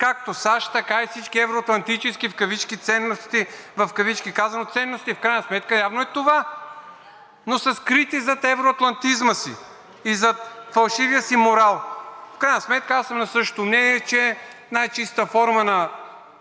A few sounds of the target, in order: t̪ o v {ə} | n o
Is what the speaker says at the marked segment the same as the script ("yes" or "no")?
no